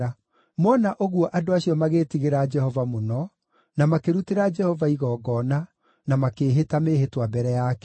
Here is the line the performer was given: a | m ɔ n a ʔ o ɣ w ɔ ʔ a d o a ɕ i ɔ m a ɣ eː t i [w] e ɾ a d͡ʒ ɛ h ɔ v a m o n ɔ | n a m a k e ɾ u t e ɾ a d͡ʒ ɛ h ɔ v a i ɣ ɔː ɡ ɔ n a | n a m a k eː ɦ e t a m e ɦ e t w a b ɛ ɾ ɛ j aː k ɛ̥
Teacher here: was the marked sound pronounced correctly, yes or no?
no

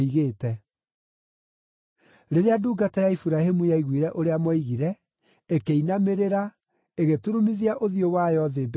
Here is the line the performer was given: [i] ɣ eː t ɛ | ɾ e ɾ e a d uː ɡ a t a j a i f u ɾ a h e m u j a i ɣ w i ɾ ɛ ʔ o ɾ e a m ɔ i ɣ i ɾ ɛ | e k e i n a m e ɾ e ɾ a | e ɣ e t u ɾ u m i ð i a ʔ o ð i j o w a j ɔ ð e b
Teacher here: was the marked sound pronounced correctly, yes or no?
yes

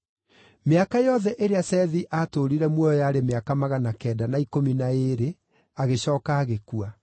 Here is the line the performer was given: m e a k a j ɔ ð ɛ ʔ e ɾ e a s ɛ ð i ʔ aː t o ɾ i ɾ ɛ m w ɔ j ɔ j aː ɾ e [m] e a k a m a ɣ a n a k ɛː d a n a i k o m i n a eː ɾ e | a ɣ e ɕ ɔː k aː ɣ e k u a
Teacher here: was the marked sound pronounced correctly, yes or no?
yes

